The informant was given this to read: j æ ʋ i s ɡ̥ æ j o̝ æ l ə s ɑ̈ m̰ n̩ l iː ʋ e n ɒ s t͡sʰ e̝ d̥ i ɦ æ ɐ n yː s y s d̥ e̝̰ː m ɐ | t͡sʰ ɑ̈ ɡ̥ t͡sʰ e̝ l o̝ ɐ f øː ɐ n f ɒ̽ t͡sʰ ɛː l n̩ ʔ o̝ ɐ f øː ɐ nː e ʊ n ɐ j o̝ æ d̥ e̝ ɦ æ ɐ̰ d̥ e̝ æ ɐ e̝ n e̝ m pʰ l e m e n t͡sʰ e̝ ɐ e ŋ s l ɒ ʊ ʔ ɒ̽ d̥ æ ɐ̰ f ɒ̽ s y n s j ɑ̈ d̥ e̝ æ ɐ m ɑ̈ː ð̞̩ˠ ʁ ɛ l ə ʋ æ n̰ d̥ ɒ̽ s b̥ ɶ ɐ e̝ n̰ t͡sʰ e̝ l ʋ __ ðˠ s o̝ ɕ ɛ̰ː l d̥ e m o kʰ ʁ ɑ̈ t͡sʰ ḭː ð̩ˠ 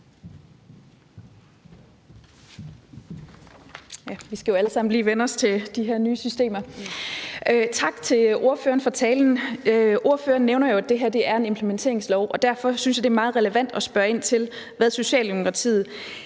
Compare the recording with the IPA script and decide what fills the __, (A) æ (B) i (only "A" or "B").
A